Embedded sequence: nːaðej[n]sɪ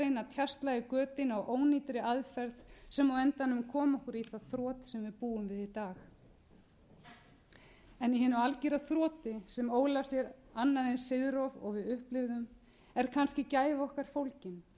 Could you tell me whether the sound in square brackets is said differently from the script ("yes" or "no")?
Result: no